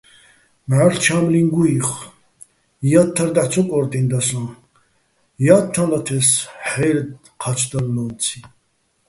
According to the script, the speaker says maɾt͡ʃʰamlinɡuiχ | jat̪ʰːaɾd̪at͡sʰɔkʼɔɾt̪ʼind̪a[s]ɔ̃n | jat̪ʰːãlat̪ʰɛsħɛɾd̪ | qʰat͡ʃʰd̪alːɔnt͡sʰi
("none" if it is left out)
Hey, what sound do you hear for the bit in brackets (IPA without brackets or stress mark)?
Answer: s